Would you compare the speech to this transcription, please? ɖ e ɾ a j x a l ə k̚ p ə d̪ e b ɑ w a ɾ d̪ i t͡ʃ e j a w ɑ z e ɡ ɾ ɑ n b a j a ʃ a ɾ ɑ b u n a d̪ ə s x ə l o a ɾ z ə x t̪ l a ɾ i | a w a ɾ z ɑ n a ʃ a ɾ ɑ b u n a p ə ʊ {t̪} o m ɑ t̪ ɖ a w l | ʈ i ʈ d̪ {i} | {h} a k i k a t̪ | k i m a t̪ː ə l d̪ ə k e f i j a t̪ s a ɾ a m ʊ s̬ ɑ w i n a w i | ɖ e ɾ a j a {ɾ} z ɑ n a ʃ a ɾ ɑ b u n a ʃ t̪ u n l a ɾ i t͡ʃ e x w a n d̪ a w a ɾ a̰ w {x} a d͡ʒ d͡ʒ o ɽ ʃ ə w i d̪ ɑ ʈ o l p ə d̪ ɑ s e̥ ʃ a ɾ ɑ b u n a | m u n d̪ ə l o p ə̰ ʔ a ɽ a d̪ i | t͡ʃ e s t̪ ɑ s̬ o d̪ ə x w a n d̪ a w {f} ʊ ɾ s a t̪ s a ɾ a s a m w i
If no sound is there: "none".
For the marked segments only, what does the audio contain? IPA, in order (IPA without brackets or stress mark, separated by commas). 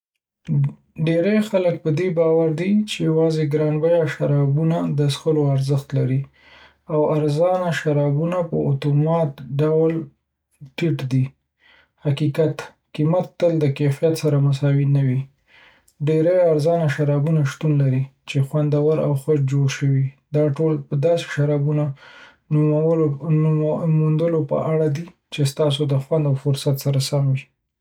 t̪, i, h, ɾ, x, f